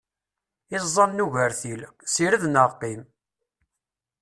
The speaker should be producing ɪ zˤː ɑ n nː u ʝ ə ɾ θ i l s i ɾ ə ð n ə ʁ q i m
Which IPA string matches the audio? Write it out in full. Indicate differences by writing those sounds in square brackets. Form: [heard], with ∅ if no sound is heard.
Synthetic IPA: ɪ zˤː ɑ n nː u ʝ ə ɾ θ i l s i ɾ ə ð n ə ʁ q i m

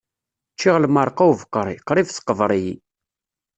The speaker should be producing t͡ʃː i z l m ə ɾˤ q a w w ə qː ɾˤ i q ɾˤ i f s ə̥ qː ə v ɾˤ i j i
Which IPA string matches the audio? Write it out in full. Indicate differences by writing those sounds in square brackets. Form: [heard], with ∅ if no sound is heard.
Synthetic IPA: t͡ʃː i [ʁ] l m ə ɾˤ q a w [v] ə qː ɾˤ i q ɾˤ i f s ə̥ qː ə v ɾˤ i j i

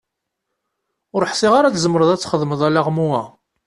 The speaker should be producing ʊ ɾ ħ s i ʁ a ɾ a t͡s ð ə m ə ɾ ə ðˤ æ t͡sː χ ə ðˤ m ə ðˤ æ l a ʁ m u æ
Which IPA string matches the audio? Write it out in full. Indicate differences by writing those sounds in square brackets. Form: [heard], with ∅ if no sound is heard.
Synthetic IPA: ʊ ɾ ħ s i ʁ a ɾ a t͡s [z] ə m ə ɾ ə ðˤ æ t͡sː χ ə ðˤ m ə ðˤ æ l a ʁ m u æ

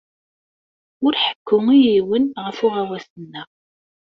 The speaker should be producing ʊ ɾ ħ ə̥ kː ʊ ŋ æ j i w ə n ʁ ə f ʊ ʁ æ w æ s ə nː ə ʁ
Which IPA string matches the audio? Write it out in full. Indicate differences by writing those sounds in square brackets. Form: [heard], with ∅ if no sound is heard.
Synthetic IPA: ʊ ɾ ħ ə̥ kː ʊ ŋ [i] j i w ə n ʁ ə f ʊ ʁ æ w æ s ə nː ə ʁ

